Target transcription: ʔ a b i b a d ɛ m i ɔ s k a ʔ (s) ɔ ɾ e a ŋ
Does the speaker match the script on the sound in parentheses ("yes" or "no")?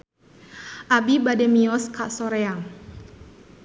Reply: yes